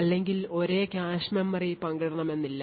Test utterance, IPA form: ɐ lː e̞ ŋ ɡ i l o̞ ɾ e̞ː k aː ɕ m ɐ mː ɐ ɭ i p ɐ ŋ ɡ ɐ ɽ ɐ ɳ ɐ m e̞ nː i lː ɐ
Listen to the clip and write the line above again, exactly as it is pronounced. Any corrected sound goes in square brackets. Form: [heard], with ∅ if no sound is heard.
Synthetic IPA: ɐ lː e̞ ŋ ɡ i l o̞ ɾ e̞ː k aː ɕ m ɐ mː ɐ [r] i p ɐ ŋ ɡ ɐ ɽ ɐ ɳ ɐ m e̞ nː i lː ɐ